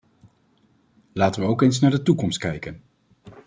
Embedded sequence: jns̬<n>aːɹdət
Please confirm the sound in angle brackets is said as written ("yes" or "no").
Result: yes